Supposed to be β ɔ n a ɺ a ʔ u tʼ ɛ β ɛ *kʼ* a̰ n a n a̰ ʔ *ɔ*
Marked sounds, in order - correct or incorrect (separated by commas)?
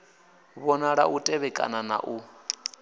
correct, incorrect